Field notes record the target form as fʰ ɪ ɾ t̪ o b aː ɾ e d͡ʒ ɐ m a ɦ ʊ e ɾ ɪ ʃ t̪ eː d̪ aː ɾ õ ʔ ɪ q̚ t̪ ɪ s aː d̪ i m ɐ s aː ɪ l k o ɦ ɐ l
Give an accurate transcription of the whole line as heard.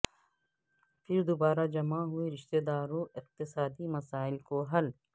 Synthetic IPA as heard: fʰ ɪ ɾ d̪ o b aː ɾ a d͡ʒ ɐ m a ɦ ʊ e ɾ ɪ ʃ t̪ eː d̪ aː ɾ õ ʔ ɪ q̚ t̪ ɪ s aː d̪ i m ɐ s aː ɪ l k o ɦ ɐ l